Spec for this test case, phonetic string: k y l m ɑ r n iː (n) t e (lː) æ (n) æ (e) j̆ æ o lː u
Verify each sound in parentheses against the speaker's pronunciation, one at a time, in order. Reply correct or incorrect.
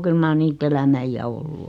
incorrect: none, incorrect: l, incorrect: m, incorrect: i

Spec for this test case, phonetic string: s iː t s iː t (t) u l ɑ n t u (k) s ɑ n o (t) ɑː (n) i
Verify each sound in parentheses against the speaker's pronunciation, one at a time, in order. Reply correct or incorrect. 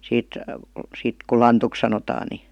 incorrect: k, correct, correct, correct

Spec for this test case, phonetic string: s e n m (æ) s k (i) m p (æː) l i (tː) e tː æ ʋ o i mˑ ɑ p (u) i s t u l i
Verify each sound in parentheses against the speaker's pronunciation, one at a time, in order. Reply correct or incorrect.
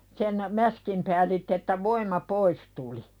correct, correct, correct, correct, incorrect: o

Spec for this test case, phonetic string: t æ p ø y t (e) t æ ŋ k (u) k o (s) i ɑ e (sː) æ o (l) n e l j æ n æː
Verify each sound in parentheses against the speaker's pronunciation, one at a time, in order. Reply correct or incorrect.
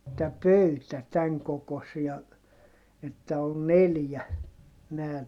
incorrect: æ, incorrect: o, correct, incorrect: tː, correct

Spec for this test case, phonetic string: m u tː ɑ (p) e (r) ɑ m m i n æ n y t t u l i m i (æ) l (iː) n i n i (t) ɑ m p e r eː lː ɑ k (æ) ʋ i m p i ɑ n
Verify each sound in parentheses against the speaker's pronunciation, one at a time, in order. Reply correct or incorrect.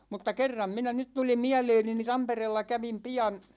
incorrect: k, incorrect: rː, correct, incorrect: eː, correct, correct

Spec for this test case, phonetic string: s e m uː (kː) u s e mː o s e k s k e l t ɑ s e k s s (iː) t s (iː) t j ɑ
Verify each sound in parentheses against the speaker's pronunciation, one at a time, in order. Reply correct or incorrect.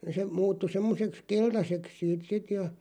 incorrect: tː, correct, incorrect: i

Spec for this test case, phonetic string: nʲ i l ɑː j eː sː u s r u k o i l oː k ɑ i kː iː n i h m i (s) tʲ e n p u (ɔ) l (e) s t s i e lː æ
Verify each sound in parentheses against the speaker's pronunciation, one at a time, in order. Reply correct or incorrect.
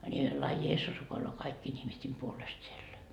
correct, incorrect: o, correct

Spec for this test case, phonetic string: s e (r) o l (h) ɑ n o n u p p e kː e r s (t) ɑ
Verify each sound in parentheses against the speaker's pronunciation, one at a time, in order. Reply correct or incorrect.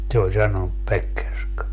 incorrect: none, incorrect: s, incorrect: k

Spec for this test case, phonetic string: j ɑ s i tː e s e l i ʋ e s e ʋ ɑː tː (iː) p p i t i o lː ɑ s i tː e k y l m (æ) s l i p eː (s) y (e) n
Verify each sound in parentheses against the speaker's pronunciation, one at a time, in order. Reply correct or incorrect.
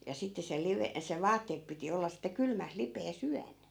incorrect: eː, correct, correct, incorrect: æ

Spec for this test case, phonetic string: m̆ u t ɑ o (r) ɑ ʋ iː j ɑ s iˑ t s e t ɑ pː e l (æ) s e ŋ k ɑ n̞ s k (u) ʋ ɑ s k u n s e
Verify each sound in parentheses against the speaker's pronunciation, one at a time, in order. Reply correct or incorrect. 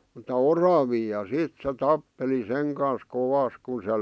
correct, incorrect: i, incorrect: o

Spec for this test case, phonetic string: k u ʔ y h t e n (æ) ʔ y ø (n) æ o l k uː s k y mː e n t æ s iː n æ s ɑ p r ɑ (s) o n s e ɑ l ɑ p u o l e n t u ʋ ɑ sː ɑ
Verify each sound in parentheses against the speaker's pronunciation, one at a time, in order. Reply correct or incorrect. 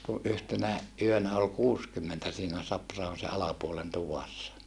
correct, correct, incorrect: h

